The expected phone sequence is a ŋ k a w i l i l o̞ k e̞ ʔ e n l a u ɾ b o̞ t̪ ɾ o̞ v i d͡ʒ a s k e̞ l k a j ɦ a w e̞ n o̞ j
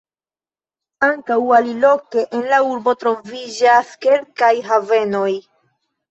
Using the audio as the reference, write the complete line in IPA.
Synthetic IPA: a ŋ k a w a l i l o̞ k e̞ ʔ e n l a u ɾ b o̞ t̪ ɾ o̞ v i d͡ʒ a s k e̞ l k a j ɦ a v e̞ n o̞ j